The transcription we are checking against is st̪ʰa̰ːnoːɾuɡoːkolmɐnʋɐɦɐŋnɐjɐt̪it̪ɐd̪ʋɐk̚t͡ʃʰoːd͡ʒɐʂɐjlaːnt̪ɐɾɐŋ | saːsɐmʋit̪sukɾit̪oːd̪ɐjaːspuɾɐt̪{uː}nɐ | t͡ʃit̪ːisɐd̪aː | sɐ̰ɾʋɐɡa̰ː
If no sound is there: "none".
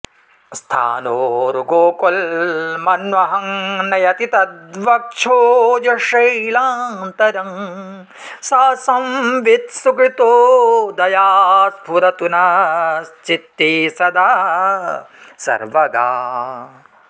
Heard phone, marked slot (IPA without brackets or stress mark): u